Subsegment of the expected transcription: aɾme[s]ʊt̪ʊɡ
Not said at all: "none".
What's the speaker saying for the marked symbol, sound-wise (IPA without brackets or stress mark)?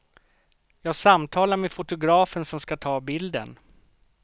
f